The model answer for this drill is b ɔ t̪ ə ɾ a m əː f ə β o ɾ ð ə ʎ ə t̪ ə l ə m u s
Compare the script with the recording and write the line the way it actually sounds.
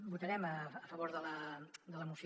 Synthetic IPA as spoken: b u t̪ ə ɾ ɛ m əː f ə β o ɾ ð ə l ə d̪ ə l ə m u s